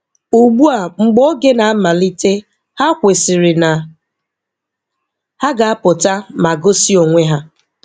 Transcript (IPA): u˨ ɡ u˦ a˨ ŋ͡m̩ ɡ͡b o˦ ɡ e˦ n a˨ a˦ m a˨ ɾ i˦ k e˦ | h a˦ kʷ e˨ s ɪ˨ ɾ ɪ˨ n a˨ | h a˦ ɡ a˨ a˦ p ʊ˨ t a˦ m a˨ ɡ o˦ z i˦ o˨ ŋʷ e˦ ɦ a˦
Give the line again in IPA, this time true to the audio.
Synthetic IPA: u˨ ɡ͡b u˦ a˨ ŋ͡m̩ ɡ͡b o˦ ɡ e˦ n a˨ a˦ m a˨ l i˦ t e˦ | h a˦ kʷ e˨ s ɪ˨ ɾ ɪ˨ n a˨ | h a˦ ɡ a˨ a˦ p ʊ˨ t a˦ m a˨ ɡ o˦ s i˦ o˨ ŋʷ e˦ ɦ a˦